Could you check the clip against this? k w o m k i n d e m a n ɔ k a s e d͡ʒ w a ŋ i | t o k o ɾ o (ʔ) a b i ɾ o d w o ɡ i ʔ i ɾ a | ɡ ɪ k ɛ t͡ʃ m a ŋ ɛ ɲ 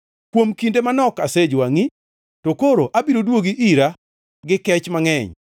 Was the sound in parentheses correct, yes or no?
yes